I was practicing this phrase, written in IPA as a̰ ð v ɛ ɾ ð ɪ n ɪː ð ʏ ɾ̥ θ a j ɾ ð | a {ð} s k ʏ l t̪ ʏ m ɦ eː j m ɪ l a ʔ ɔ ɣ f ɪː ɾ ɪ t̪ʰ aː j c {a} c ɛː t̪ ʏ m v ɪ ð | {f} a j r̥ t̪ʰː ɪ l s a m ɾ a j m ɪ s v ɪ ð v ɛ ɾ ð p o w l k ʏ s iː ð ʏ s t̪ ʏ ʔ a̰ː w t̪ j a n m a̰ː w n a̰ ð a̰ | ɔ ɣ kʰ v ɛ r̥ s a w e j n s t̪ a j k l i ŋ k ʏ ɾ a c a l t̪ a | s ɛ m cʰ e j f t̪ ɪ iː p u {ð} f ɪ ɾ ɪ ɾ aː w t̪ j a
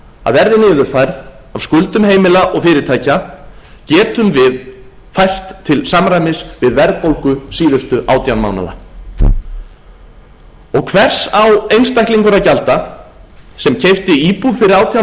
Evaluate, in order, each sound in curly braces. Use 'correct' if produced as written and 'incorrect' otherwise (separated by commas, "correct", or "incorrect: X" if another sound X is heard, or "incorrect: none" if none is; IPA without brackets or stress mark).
incorrect: v, correct, correct, correct